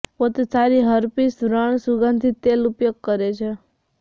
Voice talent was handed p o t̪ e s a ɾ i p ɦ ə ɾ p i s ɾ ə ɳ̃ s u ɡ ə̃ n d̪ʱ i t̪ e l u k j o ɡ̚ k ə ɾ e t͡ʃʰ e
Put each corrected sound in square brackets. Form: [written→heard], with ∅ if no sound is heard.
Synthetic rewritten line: p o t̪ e s a ɾ i [p→∅] ɦ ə ɾ p i s ɾ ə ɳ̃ s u ɡ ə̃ n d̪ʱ i t̪ e l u [k→p] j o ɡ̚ k ə ɾ e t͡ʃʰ e

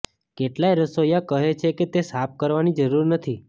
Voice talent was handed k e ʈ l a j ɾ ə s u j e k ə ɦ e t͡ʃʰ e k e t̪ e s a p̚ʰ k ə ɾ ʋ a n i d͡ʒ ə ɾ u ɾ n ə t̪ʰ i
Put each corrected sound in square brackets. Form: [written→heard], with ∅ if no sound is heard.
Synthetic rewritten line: k e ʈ l a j ɾ ə s [u→o] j [e→a] k ə ɦ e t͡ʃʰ e k e t̪ e s a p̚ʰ k ə ɾ ʋ a n i d͡ʒ ə ɾ u ɾ n ə t̪ʰ i

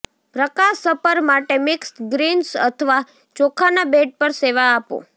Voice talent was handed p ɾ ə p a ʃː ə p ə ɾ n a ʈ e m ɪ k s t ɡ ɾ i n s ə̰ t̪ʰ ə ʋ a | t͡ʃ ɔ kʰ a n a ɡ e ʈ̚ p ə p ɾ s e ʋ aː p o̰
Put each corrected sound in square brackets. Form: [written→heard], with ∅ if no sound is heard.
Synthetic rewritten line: p ɾ ə [p→k] a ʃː ə p ə ɾ [n→m] a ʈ e m ɪ k s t ɡ ɾ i n s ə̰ t̪ʰ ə ʋ a | t͡ʃ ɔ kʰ a n a [ɡ→b] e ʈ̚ p ə [p→∅] ɾ s e ʋ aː p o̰

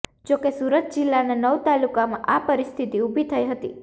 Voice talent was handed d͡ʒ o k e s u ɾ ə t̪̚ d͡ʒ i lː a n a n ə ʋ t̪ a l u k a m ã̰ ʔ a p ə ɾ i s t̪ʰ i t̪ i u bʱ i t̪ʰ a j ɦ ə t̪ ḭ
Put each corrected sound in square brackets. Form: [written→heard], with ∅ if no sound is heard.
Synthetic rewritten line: d͡ʒ o k e s u ɾ ə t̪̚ d͡ʒ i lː a n a n ə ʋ t̪ a l u k a m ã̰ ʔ a p ə ɾ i s t̪ʰ i t̪ i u bʱ i t̪ʰ [a→ə] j ɦ ə t̪ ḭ

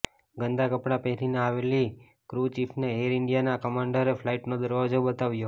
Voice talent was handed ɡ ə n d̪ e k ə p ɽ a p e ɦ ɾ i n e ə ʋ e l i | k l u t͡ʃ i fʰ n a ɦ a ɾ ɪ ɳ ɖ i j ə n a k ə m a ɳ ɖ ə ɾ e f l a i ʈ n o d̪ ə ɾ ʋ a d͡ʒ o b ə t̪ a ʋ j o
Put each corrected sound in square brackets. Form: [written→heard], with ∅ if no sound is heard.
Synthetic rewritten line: ɡ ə n d̪ [e→a] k ə p ɽ a p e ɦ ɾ i n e [ə→a] ʋ e l i | k [l→ɾ] u t͡ʃ i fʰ n [a→e] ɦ [a→e] ɾ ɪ ɳ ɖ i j [ə→a] n a k ə m a ɳ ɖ ə ɾ e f l a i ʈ n o d̪ ə ɾ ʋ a d͡ʒ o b ə t̪ a ʋ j o

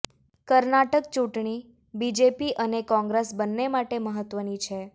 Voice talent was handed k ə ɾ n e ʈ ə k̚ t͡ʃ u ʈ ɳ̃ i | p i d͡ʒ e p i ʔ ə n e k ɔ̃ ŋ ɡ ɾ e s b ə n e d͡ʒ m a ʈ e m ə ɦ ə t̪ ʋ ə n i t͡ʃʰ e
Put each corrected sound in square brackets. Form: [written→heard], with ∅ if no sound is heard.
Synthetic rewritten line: k ə ɾ n [e→a] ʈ ə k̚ t͡ʃ u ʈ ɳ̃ i | [p→b] i d͡ʒ e p i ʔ ə n e k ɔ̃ ŋ ɡ ɾ e s b ə [n→nː] e [d͡ʒ→∅] m a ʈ e m ə ɦ ə t̪ ʋ ə n i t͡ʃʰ e

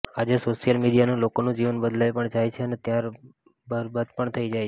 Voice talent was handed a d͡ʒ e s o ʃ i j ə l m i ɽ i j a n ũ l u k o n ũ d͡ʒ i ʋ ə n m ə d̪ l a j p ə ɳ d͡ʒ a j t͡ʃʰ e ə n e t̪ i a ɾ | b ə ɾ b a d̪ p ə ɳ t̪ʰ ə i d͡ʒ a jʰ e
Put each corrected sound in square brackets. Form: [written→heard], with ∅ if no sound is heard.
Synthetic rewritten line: a d͡ʒ e s o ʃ i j ə l m i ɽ i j a n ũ l [u→o] k o n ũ d͡ʒ i ʋ ə n [m→b] ə d̪ l a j p ə ɳ d͡ʒ a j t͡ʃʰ e ə n e t̪ [i→j] a ɾ | b ə ɾ b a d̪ p ə ɳ t̪ʰ ə i d͡ʒ a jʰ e

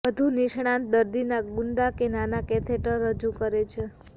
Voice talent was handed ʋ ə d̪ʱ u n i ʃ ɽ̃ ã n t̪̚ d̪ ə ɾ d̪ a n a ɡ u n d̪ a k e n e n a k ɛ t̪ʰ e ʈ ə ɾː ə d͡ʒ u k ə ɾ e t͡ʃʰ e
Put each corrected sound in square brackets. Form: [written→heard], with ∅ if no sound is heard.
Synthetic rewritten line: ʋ ə d̪ʱ u n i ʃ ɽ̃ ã n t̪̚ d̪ ə ɾ d̪ [a→i] n a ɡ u n d̪ a k e n [e→a] n a k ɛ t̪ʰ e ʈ ə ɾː ə d͡ʒ u k ə ɾ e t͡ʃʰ e

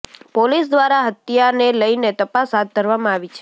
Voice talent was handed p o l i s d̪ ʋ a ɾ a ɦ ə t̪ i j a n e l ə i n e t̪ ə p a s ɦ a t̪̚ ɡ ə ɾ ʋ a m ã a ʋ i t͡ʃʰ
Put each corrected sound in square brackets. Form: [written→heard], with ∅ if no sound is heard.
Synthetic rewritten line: p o l i s d̪ ʋ a ɾ a ɦ ə t̪ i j a n e l ə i n e t̪ ə p a s ɦ a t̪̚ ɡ ə ɾ ʋ a m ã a ʋ i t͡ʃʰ

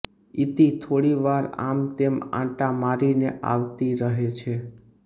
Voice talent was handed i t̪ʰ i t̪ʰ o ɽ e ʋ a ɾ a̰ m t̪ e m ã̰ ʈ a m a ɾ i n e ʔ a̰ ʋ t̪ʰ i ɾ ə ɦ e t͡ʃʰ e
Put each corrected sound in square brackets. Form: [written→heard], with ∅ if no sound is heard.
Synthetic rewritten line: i [t̪ʰ→t̪] i t̪ʰ o ɽ [e→i] ʋ a ɾ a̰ m t̪ e m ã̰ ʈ a m a ɾ i n e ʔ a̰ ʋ [t̪ʰ→t̪] i ɾ ə ɦ e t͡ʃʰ e

